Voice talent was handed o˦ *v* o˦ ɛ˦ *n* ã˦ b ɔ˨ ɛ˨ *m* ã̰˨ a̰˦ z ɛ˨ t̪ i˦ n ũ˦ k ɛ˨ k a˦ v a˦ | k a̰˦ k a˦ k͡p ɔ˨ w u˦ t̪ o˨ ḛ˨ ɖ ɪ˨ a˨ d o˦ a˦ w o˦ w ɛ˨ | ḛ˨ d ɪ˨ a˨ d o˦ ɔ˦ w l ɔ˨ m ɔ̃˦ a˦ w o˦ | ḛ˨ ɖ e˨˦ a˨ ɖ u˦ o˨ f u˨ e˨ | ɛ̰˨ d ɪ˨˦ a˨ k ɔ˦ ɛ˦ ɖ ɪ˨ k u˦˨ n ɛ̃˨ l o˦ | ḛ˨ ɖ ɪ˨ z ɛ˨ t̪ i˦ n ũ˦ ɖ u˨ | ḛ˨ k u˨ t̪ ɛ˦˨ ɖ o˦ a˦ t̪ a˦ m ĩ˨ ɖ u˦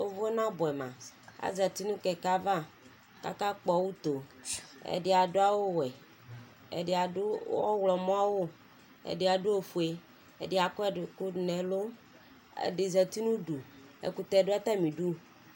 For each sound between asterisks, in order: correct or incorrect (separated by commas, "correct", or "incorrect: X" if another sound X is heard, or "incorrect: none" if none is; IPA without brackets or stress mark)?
correct, correct, correct